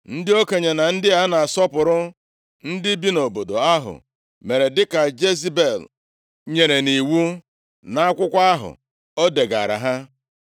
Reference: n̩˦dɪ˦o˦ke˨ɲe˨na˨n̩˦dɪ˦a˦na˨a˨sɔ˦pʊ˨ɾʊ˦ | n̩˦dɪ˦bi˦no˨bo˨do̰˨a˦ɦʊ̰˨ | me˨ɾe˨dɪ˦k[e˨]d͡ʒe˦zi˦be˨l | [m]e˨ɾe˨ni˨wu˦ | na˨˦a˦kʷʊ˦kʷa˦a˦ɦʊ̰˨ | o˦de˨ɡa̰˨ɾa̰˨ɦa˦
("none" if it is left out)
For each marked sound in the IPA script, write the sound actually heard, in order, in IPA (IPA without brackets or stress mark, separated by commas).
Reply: a˨, ɲ